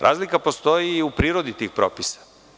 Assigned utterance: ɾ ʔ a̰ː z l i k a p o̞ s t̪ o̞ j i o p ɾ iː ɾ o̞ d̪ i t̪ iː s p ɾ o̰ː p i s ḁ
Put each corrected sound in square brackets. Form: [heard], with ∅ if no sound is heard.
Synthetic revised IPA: ɾ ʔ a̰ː z l i k a p o̞ s t̪ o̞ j i [u] p ɾ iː ɾ o̞ d̪ i t̪ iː [x] p ɾ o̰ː p i s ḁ